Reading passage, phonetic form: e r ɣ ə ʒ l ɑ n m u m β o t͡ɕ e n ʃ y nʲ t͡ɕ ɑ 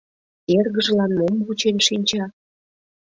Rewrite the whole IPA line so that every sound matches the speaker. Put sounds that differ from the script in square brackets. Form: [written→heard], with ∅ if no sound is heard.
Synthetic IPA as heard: e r ɣ ə ʒ l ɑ n m [u→o] m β [o→u] t͡ɕ e n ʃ [y→i] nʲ t͡ɕ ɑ